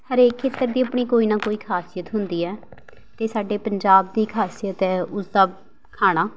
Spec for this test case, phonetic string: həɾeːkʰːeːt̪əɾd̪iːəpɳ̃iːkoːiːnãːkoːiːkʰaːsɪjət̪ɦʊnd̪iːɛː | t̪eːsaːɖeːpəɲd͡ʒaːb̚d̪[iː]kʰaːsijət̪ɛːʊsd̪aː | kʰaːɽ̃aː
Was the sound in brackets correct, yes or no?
yes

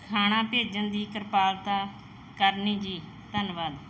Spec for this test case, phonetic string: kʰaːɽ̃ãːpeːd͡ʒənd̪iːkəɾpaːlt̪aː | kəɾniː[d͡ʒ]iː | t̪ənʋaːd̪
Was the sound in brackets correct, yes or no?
yes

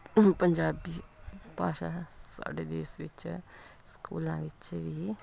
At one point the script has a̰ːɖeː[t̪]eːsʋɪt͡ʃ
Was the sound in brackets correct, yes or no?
no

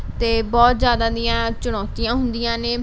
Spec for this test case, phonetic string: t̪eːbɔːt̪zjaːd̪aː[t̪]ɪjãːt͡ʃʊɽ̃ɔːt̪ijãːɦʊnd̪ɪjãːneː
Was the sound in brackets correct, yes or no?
no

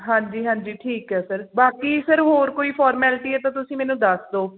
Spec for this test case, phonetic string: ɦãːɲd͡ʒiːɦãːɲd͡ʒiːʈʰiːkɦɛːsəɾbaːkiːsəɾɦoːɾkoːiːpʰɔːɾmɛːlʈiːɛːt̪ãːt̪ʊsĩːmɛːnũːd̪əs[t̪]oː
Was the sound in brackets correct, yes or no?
no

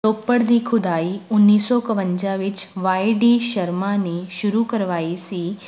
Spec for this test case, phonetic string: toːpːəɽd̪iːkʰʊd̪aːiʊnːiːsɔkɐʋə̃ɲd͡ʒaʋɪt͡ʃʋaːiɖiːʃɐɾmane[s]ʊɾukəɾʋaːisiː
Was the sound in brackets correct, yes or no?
no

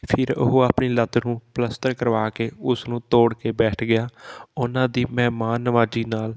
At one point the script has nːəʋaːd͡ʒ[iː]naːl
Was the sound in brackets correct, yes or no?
yes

